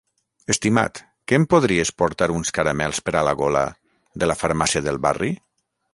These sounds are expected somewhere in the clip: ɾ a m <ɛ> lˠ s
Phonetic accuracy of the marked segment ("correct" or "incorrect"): correct